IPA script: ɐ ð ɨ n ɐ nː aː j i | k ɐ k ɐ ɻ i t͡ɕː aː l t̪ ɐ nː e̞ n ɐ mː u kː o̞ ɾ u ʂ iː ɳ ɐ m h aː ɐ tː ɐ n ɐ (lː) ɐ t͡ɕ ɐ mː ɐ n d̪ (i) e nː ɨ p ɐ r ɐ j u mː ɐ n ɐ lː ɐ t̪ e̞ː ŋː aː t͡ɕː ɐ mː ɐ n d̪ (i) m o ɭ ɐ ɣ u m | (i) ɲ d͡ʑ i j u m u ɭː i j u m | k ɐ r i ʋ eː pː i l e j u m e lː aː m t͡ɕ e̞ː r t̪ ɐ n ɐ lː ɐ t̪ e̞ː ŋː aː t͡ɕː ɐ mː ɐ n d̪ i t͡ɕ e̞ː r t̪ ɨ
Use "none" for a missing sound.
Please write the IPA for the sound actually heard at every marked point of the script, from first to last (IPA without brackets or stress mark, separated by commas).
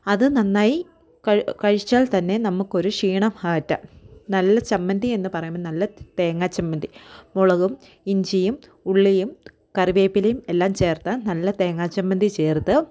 lː, i, i, i